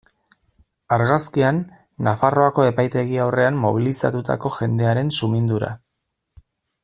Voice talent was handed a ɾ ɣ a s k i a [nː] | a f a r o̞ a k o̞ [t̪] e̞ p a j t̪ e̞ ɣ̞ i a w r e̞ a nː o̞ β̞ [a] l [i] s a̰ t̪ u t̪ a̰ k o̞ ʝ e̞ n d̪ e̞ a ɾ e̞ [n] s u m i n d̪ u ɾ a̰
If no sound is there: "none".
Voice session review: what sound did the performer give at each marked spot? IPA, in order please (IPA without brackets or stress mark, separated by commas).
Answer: nː, none, i, i, n